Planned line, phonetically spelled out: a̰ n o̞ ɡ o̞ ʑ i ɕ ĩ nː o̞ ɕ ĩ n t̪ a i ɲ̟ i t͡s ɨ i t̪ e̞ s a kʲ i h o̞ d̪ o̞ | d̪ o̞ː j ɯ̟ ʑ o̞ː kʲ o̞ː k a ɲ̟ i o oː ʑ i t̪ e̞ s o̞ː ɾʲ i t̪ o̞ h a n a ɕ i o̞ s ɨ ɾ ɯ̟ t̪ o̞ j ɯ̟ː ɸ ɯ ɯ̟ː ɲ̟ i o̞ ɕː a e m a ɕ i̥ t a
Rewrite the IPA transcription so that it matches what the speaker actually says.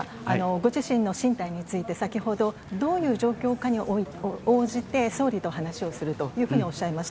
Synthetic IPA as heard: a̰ n o̞ ɡ o̞ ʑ i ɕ ĩ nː o̞ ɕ ĩ n t̪ a i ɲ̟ i t͡s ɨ i t̪ e̞ s a kʲ i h o̞ d̪ o̞ | d̪ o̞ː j ɯ̟ː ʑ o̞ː kʲ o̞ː k a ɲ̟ i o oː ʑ i t̪ e̞ s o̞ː ɾʲ i t̪ o̞ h a n a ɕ i o̞ s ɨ ɾ ɯ̟ t̪ o̞ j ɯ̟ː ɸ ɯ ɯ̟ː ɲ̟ i o̞ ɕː a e m a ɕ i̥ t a